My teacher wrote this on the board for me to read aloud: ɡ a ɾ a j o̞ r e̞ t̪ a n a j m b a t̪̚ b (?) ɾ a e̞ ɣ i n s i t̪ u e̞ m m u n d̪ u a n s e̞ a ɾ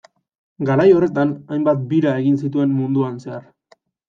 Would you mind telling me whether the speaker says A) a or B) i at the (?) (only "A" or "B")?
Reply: B